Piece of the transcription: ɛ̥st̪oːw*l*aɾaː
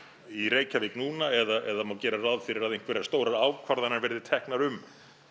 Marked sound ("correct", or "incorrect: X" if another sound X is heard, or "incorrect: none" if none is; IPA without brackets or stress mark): incorrect: ɾ